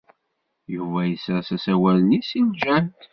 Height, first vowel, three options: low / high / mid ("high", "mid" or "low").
high